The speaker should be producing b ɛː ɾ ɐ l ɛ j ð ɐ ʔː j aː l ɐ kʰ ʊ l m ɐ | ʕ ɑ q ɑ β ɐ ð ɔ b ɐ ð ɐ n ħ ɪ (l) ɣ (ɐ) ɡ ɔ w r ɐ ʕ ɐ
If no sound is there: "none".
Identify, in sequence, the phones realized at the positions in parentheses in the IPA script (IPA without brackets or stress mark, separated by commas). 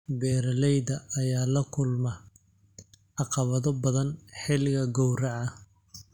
l, ɐ